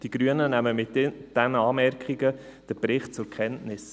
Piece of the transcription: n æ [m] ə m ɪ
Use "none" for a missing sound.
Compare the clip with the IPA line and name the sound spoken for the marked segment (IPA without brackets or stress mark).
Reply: m